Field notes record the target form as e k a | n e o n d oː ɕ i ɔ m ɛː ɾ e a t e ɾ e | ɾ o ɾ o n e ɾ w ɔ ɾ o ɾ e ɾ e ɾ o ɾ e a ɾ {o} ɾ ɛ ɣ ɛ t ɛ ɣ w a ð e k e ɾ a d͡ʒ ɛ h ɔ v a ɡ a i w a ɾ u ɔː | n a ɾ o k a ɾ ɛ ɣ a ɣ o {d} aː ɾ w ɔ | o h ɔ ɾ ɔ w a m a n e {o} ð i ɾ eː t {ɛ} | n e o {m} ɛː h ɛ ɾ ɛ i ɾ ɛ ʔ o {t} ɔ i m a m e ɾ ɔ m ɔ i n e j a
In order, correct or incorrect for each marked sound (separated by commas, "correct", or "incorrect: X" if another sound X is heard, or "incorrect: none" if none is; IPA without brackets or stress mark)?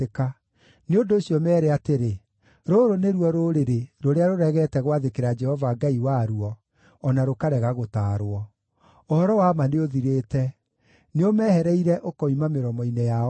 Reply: correct, incorrect: t, correct, correct, correct, incorrect: k